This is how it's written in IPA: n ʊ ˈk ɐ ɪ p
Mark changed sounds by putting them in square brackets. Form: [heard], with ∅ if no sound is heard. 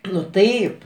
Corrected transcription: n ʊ [ˈt] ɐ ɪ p

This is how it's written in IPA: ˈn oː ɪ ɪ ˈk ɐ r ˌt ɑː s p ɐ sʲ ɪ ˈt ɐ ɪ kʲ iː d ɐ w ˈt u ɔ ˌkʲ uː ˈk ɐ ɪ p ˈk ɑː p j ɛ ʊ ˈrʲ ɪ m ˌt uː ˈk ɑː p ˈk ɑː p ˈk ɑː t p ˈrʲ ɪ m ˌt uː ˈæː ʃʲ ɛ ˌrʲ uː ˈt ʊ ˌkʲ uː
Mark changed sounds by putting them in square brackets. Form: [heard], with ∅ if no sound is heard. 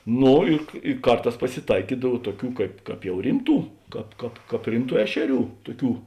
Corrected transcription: ˈn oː ɪ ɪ ˈk ɐ r ˌt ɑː s p ɐ sʲ ɪ ˈt ɐ ɪ kʲ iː d ɐ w ˈt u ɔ ˌkʲ uː ˈk ɐ ɪ p ˈk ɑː p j ɛ ʊ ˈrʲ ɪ m ˌt uː ˈk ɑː p ˈk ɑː p ˈk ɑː [∅] p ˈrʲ ɪ m ˌt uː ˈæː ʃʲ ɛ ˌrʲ uː ˈt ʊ ˌkʲ uː

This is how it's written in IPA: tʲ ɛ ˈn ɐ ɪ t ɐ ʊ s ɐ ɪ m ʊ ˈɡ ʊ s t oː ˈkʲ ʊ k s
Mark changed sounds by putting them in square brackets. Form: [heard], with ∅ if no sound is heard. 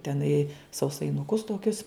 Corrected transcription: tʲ ɛ ˈn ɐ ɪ [s] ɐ ʊ s ɐ ɪ [n] ʊ [ˈk] ʊ s t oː ˈkʲ ʊ [∅] s

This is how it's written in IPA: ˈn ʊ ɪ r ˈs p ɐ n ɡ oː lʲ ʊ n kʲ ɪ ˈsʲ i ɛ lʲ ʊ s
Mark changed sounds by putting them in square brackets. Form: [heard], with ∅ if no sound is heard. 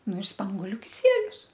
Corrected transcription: ˈn ʊ ɪ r ˈs p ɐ [ŋ] ɡ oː lʲ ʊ [∅] kʲ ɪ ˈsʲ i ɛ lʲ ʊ s

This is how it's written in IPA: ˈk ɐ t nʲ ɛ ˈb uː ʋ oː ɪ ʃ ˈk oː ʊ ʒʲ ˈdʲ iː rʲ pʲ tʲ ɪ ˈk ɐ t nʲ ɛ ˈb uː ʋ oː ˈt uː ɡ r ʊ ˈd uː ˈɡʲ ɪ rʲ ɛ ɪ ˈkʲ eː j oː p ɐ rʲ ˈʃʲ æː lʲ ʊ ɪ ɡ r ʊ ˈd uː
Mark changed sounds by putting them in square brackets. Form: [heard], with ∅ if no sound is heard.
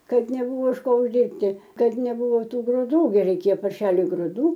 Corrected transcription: ˈk ɐ t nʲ ɛ ˈb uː ʋ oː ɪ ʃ ˈk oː ʊ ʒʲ ˈdʲ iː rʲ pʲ tʲ ɪ ˈk ɐ t nʲ ɛ ˈb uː ʋ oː ˈt uː ɡ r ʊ ˈd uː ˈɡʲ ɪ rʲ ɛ ɪ ˈkʲ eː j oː p ɐ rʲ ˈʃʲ æː lʲ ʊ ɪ ɡ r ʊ ˈd uː

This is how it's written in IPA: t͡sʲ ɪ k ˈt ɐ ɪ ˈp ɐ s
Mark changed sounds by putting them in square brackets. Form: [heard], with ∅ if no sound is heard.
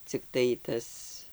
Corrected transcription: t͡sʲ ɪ k ˈt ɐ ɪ [ˈt] ɐ s

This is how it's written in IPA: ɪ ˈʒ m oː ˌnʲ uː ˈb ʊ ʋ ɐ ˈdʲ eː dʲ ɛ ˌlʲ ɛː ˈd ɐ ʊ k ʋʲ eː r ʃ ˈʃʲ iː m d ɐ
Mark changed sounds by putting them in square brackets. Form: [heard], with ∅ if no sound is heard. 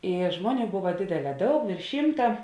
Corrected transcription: ɪ ˈʒ m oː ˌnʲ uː ˈb ʊ ʋ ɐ ˈdʲ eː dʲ ɛ ˌlʲ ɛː ˈd ɐ ʊ k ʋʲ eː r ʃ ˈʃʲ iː m [t] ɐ

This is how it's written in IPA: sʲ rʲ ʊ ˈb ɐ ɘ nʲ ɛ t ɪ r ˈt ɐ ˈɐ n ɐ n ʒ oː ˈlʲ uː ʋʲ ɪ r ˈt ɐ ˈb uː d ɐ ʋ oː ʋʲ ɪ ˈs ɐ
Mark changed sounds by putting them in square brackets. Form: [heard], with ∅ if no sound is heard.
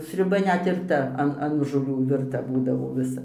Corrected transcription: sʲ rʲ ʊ ˈb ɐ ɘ nʲ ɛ t ɪ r ˈt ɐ ˈɐ n ɐ n ʒ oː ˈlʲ uː ʋʲ ɪ r ˈt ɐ ˈb uː d ɐ ʋ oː ʋʲ ɪ ˈs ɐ

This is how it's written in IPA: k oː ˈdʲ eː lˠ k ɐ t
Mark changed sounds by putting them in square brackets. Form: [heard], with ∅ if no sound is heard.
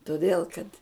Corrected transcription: [t] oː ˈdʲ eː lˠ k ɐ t

